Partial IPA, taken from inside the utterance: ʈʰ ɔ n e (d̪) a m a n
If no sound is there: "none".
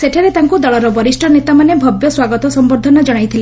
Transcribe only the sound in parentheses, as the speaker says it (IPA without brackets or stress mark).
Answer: t̪